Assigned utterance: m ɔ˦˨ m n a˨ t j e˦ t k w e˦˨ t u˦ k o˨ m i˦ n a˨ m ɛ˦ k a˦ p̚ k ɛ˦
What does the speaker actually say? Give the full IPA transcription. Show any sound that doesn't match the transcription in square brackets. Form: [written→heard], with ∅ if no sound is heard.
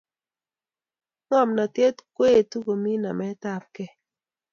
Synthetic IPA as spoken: [m→ŋ] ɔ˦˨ m n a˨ t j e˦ t k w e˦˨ t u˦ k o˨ m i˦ n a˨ m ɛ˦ [k→t] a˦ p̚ k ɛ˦